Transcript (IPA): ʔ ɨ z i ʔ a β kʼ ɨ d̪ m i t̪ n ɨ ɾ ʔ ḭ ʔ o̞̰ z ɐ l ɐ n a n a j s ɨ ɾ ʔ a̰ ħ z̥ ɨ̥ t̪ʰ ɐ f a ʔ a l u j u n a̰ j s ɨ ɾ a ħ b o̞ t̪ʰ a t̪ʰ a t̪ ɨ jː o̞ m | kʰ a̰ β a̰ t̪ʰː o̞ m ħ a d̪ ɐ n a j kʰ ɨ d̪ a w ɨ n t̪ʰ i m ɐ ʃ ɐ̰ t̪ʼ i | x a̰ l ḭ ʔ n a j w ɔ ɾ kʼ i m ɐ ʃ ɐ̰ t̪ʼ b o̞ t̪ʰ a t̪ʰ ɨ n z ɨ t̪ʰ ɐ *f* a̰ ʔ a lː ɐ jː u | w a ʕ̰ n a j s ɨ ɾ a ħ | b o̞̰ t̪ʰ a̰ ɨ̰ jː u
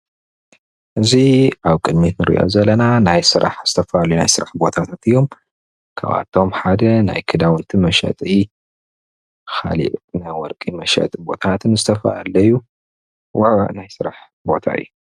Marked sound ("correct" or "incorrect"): correct